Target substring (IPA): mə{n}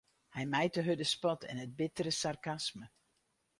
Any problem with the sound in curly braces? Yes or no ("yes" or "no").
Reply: yes